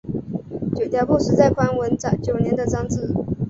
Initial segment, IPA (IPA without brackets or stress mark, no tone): t͡ɕ